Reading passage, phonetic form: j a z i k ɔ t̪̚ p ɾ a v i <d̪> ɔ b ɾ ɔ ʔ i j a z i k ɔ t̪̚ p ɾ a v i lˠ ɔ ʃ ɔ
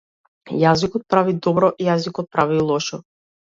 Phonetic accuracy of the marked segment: correct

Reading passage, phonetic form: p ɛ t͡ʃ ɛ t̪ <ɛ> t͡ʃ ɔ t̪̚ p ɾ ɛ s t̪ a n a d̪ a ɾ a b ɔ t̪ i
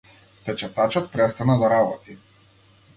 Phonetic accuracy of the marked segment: incorrect: a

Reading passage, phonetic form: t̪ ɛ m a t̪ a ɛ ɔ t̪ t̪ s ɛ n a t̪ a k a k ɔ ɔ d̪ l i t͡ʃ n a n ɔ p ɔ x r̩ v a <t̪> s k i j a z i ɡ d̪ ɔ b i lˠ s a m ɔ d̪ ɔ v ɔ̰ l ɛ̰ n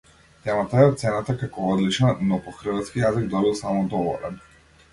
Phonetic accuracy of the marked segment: correct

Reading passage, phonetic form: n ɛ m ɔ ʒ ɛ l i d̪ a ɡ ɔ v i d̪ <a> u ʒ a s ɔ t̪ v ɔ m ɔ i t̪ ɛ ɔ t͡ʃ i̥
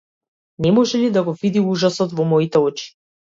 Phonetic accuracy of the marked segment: incorrect: i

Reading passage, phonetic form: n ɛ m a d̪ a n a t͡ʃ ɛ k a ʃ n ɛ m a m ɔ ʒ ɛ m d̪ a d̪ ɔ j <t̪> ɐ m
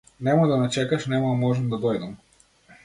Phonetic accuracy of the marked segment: incorrect: d̪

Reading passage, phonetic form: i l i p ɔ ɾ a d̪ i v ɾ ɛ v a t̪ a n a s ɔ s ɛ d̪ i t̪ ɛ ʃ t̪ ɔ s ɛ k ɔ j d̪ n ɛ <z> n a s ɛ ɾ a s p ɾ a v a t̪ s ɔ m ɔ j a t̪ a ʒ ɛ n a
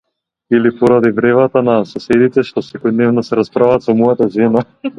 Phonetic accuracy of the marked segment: incorrect: v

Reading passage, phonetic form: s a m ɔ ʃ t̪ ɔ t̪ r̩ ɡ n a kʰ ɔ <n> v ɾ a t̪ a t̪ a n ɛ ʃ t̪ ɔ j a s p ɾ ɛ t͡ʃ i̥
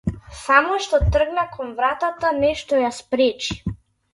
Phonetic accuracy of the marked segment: correct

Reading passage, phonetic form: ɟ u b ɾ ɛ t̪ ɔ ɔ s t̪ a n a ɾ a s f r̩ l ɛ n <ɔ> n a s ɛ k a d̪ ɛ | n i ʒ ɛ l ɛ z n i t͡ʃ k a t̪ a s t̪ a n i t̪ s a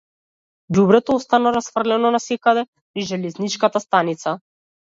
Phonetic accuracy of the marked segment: correct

